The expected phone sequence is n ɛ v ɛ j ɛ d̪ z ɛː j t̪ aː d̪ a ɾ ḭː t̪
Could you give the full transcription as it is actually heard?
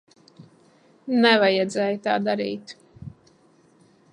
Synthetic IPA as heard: n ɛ v a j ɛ d̪ z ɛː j t̪ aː d̪ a ɾ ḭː t̪